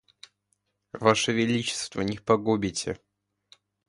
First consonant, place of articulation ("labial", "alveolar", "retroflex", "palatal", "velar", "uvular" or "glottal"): labial